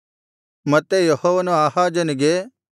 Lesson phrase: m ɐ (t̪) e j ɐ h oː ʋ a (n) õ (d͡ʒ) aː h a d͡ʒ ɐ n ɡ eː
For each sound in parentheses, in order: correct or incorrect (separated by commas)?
correct, correct, incorrect